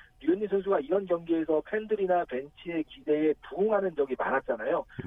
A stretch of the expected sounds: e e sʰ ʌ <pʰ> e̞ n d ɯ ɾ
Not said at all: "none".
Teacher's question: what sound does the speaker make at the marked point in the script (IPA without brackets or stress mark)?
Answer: pʰ